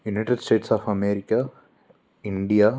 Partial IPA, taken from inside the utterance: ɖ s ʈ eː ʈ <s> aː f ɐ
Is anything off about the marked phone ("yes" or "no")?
no